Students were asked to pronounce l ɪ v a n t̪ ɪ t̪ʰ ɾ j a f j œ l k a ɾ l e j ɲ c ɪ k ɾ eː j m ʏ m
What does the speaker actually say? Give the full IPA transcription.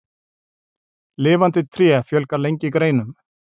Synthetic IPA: l ɪː v a n t̪ ɪ t̪ʰ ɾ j ɛ f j œ l k a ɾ l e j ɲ c ɪ k ɾ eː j n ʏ m